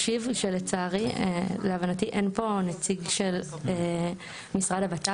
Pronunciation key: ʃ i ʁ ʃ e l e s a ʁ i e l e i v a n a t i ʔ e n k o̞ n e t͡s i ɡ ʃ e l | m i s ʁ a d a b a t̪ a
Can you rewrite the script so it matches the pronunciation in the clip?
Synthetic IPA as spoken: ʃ i v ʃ e l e t͡s a ʁ i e l e a v a n a t i ʔ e n p o̞ n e t͡s i ɡ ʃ e l | m i s ʁ a d a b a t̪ a